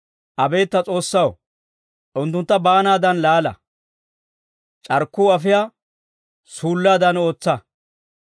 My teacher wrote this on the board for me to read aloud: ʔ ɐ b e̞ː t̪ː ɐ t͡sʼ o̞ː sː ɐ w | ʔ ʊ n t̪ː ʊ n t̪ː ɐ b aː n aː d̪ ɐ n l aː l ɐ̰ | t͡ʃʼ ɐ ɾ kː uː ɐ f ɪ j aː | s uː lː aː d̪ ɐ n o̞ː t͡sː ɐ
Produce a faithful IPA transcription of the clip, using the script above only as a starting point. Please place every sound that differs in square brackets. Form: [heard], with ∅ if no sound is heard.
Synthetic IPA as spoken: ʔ ɐ b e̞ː t̪ː ɐ t͡sʼ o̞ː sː ɐ w | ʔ ʊ n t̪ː ʊ n t̪ː ɐ b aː n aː d̪ ɐ n l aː l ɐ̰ | t͡ʃʼ ɐ ɾ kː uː ɐ f ɪ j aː | s uː lː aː d̪ ɐ n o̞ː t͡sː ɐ